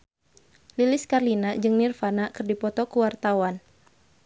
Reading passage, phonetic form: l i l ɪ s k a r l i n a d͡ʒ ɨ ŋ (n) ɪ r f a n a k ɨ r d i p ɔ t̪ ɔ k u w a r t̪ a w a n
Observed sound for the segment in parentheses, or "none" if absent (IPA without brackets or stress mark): n